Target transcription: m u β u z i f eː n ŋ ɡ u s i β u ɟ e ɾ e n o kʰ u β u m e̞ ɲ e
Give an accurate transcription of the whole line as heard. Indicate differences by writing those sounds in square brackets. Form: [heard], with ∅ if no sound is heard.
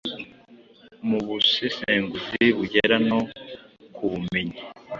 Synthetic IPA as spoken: m u β u [s] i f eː [∅] ŋ ɡ u [z] i β u ɟ e ɾ [a] n o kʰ u β u m e̞ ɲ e